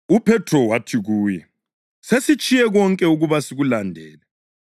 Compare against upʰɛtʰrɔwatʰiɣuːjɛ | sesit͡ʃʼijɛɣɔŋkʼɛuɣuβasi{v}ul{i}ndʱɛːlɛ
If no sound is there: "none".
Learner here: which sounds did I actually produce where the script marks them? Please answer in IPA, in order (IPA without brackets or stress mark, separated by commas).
ɣ, a